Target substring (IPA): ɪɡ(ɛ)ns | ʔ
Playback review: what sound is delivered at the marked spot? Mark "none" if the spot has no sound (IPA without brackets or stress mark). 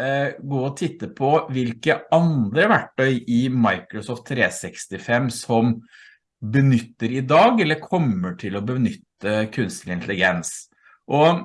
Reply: ɛ